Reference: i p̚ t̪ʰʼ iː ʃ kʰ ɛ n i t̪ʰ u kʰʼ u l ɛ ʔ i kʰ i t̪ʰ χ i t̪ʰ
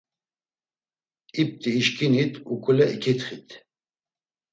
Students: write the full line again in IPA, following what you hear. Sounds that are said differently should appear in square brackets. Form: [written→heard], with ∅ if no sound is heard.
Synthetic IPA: i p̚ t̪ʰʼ iː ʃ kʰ [ɛ→i] n i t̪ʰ u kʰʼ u l ɛ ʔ i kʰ i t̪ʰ χ i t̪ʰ